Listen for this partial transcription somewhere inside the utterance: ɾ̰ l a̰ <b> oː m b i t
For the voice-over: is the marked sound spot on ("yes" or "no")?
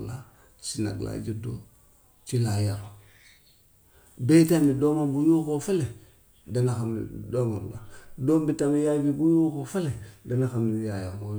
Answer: no